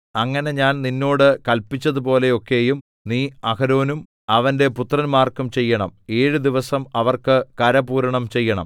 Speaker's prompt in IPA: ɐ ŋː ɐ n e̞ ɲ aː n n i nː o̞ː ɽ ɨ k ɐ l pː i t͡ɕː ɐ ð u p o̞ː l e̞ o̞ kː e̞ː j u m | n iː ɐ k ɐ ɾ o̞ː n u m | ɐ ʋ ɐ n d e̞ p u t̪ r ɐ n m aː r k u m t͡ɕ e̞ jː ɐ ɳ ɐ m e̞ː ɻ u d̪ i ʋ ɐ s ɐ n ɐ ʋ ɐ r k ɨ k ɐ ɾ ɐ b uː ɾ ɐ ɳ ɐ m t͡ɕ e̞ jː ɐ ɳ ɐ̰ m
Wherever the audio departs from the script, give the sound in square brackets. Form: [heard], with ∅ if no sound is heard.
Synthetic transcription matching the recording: ɐ ŋː ɐ n e̞ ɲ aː n n i nː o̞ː ɽ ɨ k ɐ l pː i t͡ɕː ɐ ð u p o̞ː l e̞ o̞ kː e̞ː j u m | n iː ɐ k ɐ ɾ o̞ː n u m | ɐ ʋ ɐ n d e̞ p u t̪ r ɐ n m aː r k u m t͡ɕ e̞ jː ɐ ɳ ɐ m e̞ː ɻ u d̪ i ʋ ɐ s ɐ [m] ɐ ʋ ɐ r k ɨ k ɐ ɾ ɐ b uː ɾ ɐ ɳ ɐ m t͡ɕ e̞ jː ɐ ɳ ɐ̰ m